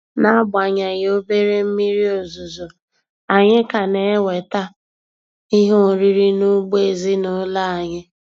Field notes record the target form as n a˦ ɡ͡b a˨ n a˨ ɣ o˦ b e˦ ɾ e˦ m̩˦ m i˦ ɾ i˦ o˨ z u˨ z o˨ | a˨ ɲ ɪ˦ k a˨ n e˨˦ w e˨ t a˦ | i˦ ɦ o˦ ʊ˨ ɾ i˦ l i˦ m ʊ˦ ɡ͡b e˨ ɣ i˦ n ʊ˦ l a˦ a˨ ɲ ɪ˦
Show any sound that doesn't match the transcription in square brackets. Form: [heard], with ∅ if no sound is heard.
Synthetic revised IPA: n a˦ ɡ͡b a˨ [ɲ] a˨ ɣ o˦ b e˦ ɾ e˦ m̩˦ m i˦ ɾ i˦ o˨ z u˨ z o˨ | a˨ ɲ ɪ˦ k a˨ n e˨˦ w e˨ t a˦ | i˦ ɦ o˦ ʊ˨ ɾ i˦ [ɾ] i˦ [n] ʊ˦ ɡ͡b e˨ [z] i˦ n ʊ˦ l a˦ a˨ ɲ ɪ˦

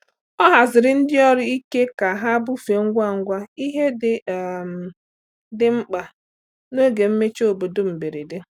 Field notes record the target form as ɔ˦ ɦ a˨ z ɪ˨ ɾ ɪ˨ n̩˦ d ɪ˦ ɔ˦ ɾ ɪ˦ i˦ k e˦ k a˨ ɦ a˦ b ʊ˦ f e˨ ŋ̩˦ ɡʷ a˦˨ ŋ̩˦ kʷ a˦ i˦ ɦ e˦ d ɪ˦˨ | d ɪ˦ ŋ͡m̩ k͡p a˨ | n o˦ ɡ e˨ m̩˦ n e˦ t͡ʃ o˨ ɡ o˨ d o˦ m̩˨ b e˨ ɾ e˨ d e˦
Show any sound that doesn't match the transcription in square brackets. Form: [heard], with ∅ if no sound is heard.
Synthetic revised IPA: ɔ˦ ɦ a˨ z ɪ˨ ɾ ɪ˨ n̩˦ d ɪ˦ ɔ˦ ɾ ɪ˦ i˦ k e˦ k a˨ ɦ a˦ b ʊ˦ f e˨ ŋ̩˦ ɡʷ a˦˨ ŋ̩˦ [ɡʷ] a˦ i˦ ɦ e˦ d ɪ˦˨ | d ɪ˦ ŋ͡m̩ k͡p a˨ | n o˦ ɡ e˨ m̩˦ [m] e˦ t͡ʃ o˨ [b] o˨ d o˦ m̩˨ b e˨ ɾ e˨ d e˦

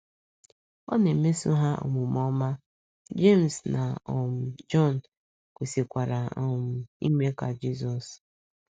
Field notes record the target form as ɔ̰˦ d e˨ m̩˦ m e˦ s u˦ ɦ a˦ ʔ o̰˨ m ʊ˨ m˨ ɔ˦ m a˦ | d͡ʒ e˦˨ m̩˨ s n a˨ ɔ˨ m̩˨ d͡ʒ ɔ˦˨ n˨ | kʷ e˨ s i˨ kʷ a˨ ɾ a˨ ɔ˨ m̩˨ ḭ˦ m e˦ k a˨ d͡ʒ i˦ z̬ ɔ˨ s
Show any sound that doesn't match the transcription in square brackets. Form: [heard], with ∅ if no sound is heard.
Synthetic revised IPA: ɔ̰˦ [n] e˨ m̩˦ m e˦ s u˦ ɦ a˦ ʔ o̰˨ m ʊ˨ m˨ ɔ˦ m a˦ | d͡ʒ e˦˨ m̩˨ s n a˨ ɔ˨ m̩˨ d͡ʒ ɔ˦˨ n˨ | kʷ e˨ s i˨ kʷ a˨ ɾ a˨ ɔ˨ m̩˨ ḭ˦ m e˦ k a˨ d͡ʒ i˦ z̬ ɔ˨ s

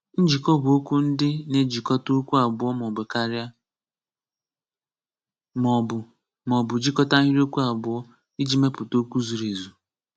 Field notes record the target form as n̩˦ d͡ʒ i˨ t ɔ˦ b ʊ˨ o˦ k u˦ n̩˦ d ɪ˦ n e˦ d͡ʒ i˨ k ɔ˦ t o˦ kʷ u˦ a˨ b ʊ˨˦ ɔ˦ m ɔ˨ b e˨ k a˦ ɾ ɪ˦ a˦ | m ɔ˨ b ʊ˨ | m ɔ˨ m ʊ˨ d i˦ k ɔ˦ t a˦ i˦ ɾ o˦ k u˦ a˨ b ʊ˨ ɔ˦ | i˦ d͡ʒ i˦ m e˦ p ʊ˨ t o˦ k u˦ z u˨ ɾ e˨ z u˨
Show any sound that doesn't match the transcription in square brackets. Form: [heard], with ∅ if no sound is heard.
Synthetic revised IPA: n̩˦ d͡ʒ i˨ [k] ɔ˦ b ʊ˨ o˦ k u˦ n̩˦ d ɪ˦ n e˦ d͡ʒ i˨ k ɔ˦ t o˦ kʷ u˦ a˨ b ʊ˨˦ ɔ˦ m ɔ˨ b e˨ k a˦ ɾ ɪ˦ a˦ | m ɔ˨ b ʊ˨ | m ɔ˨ [b] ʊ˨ [d͡ʒ] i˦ k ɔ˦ t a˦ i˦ ɾ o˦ k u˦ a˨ b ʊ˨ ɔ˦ | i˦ d͡ʒ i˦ m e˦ p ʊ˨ t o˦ k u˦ z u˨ ɾ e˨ z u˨

